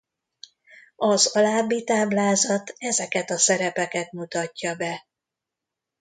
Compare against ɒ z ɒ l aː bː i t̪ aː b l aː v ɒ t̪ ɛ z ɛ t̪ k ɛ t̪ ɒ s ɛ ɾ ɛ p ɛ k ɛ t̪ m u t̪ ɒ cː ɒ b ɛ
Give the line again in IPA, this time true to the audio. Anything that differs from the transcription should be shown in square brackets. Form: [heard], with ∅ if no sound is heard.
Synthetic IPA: ɒ z ɒ l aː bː i t̪ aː b l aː [z] ɒ t̪ ɛ z ɛ [∅] k ɛ t̪ ɒ s ɛ ɾ ɛ p ɛ k ɛ t̪ m u t̪ ɒ cː ɒ b ɛ

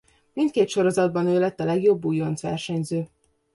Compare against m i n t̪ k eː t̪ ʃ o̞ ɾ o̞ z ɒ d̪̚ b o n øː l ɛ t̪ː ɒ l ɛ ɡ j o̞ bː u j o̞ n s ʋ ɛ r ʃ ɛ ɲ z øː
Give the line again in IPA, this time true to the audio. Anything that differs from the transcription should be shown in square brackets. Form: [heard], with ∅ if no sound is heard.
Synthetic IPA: m i n t̪ k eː t̪ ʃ o̞ ɾ o̞ z ɒ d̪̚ b [ɒ] n øː l ɛ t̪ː ɒ l ɛ ɡ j o̞ bː u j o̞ n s ʋ ɛ r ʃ ɛ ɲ z øː

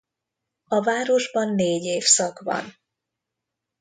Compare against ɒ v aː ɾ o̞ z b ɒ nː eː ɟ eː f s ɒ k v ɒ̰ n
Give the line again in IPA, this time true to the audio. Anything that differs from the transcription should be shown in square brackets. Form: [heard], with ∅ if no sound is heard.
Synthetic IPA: ɒ v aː ɾ o̞ [ʒ] b ɒ nː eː ɟ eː f s ɒ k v ɒ̰ n

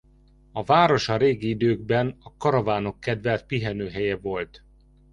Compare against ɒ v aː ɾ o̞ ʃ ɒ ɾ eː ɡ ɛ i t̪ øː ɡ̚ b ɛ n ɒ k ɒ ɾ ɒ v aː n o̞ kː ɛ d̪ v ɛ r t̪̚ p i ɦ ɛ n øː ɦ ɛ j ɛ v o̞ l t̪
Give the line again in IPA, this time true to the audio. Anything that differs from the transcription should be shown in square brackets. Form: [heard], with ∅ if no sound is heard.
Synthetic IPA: ɒ v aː ɾ o̞ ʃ ɒ ɾ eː ɡ [i] i [d̪] øː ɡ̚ b ɛ n ɒ k ɒ ɾ ɒ v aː n o̞ kː ɛ d̪ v ɛ [l] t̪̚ p i ɦ ɛ n øː ɦ ɛ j ɛ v o̞ l t̪

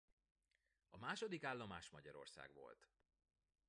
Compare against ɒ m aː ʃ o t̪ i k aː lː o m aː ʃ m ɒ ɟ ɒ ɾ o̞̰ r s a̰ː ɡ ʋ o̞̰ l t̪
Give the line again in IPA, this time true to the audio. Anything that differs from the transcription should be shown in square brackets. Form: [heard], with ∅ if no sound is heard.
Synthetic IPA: ɒ m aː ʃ o [d̪] i k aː lː o m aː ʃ m ɒ ɟ ɒ ɾ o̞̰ r s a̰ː ɡ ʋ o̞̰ l t̪

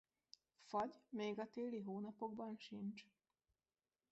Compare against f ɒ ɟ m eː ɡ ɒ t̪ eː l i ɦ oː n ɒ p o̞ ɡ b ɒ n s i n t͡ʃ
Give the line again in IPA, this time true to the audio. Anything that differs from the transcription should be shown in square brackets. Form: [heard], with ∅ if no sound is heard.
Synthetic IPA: f ɒ ɟ m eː ɡ ɒ t̪ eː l i ɦ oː n ɒ p o̞ ɡ b ɒ n [ʃ] i n t͡ʃ

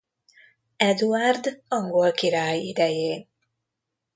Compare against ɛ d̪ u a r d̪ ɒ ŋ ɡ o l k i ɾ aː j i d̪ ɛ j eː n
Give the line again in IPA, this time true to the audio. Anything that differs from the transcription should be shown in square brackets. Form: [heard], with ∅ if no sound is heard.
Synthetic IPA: ɛ d̪ u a r d̪ ɒ ŋ ɡ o l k i ɾ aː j i d̪ ɛ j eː n

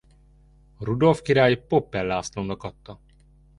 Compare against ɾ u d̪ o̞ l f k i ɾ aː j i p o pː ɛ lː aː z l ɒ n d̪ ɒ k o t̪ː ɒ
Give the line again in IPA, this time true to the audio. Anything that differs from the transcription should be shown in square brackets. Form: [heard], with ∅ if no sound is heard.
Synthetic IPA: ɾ u d̪ o̞ l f k i ɾ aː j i p o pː ɛ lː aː [s] l [o] n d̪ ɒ k [ɒ] t̪ː ɒ

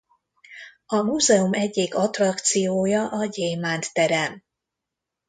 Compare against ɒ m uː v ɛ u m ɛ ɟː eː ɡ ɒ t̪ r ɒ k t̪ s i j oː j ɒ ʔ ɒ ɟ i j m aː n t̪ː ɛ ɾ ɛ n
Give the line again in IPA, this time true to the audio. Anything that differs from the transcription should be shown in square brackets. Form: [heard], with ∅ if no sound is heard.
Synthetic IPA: ɒ m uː [z] ɛ u m ɛ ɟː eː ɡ ɒ t̪ r ɒ k t̪ s i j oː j ɒ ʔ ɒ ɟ [e] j m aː n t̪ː ɛ ɾ ɛ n

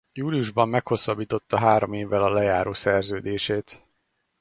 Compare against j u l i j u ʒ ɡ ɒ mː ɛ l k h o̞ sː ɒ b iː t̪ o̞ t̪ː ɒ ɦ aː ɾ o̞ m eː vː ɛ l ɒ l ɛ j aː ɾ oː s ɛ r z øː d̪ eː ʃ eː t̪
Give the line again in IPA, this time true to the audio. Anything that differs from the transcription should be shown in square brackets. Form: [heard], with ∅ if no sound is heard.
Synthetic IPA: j [uː] l i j u ʒ [b] ɒ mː ɛ [∅] k h o̞ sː ɒ b iː t̪ o̞ t̪ː ɒ ɦ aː ɾ o̞ m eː vː ɛ l ɒ l ɛ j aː ɾ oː s ɛ r z øː d̪ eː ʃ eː t̪

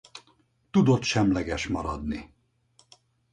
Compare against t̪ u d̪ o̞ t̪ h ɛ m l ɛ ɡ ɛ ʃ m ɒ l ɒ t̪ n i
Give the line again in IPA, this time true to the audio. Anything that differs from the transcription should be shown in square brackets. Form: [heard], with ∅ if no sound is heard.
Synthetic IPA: t̪ u d̪ o̞ t̪ [ʃ] ɛ m l ɛ ɡ ɛ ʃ m ɒ [ɾ] ɒ [d̪] n i

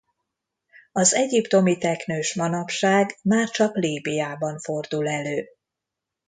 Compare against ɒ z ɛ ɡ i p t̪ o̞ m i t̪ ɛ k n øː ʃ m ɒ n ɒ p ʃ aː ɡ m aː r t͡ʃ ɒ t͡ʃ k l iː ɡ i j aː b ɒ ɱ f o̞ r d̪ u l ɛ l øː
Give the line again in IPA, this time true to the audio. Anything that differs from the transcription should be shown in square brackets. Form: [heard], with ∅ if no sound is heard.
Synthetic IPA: ɒ z ɛ [ɟ] i p t̪ o̞ m i t̪ ɛ k n øː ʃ m ɒ n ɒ p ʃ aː ɡ m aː r t͡ʃ ɒ [∅] k l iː [b] i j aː b ɒ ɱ f o̞ r d̪ u l ɛ l øː

